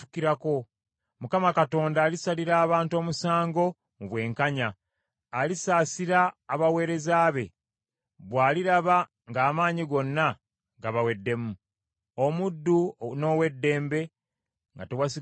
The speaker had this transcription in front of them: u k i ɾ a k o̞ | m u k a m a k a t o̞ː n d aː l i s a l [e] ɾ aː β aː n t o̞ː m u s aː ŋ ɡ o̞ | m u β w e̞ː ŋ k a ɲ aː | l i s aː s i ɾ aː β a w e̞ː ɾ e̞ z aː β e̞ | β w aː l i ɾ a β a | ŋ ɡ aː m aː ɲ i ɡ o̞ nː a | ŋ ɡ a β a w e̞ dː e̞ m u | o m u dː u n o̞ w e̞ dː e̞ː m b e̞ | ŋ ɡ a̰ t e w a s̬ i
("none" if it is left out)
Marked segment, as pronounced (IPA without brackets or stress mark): i